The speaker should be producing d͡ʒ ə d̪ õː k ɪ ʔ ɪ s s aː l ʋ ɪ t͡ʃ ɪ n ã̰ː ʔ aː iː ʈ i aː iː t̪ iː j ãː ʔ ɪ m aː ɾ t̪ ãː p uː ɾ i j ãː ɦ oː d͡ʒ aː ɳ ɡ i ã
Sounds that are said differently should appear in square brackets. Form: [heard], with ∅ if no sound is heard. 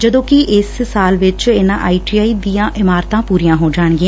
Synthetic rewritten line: d͡ʒ ə d̪ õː k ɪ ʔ ɪ s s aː l ʋ ɪ t͡ʃ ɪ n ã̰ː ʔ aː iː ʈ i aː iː [d̪] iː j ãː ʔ ɪ m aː ɾ t̪ ãː p uː ɾ i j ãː ɦ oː d͡ʒ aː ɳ ɡ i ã